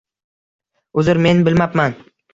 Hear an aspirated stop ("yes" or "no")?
no